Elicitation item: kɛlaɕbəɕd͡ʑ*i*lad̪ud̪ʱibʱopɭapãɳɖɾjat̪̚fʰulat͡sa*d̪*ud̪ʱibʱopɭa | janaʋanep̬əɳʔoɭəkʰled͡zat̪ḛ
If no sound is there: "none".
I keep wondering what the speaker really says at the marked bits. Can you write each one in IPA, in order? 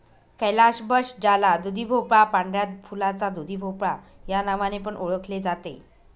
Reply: a, d̪

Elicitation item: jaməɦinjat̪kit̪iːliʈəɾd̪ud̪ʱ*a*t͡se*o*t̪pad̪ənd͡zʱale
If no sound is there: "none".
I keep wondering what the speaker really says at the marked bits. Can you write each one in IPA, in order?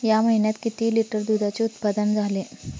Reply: a, u

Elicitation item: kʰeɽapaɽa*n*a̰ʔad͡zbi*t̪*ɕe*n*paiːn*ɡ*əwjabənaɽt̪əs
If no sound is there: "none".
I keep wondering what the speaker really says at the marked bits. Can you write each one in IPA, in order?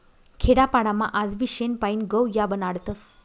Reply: m, none, n, ɡ

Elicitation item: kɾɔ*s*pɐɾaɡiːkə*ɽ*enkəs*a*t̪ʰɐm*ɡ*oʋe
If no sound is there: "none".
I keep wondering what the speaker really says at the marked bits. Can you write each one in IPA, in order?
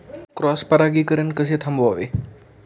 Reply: s, ɾ, e, b

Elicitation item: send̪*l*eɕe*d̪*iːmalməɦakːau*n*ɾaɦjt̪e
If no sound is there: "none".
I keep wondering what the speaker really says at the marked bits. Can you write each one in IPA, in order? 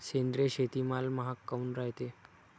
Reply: ɾ, t̪, n

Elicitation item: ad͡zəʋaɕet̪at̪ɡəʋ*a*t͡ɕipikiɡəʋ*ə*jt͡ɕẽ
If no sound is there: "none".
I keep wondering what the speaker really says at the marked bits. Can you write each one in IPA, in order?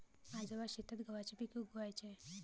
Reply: a, a

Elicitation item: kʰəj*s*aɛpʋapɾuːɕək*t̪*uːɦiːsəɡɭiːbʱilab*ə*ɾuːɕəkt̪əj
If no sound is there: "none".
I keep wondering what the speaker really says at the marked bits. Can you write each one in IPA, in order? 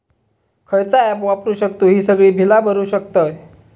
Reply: t͡s, t̪, ə

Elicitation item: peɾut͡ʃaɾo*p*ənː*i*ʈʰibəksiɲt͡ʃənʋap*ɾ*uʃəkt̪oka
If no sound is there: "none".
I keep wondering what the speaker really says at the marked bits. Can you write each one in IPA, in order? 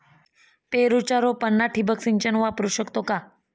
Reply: p, a, ɾ

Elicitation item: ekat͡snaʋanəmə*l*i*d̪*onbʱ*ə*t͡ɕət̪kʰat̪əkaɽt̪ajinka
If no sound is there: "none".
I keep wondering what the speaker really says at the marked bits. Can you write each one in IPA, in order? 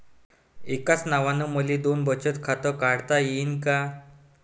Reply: l, d̪, ə

